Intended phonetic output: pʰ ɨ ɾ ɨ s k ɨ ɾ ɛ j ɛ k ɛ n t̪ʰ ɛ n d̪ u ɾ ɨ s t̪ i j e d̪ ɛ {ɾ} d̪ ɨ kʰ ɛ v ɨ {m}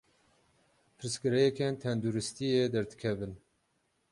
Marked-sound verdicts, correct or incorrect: correct, incorrect: n

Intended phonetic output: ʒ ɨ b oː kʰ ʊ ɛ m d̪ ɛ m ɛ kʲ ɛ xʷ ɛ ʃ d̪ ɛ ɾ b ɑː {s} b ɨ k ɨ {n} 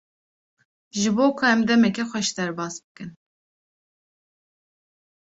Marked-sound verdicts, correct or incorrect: correct, correct

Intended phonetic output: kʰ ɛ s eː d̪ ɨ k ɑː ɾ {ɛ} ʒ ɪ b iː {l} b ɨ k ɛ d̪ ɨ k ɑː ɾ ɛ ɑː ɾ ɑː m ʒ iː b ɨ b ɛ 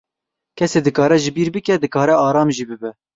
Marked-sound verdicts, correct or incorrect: correct, incorrect: ɾ

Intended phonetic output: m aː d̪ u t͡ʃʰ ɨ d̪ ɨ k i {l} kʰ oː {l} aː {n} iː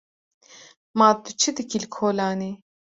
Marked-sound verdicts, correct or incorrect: correct, correct, correct

